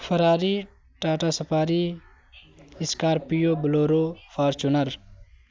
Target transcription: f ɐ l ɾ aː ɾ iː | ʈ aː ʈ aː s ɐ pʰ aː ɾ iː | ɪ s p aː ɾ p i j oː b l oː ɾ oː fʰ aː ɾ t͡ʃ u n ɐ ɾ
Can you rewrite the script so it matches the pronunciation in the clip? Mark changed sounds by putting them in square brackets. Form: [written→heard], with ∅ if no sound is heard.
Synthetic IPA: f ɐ [l→∅] ɾ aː ɾ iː | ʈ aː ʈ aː s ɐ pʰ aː ɾ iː | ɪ s [p→k] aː ɾ p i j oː b l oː ɾ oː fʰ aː ɾ t͡ʃ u n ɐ ɾ